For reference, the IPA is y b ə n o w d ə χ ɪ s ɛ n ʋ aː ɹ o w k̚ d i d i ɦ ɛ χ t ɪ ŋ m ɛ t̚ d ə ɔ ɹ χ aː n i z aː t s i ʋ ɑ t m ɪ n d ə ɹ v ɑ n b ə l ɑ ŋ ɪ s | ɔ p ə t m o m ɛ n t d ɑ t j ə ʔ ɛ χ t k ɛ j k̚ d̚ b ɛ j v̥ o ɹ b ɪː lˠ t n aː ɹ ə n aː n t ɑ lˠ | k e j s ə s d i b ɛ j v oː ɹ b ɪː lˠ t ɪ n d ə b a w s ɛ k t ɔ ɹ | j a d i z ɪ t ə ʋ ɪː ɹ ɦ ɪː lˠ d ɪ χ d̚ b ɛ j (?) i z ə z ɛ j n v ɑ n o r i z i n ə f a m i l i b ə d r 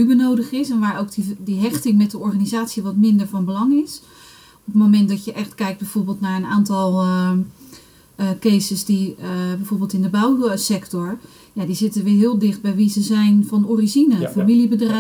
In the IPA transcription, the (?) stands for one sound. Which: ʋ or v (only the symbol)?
ʋ